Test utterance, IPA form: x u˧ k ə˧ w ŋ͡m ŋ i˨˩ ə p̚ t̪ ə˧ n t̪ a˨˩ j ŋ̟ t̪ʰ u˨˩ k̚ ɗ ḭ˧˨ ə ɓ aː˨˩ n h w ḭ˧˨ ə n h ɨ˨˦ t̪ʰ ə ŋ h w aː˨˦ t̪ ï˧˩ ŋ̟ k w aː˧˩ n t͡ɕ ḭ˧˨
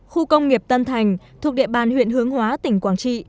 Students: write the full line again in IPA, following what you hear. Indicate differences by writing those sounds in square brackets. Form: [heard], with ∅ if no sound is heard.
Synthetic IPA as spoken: x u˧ k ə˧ w ŋ͡m ŋ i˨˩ ə p̚ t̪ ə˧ n [t̪ʰ] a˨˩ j ŋ̟ t̪ʰ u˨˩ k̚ ɗ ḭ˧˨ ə ɓ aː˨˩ n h w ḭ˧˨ ə n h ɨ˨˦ [∅] ə ŋ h w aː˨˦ t̪ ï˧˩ ŋ̟ k w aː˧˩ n t͡ɕ ḭ˧˨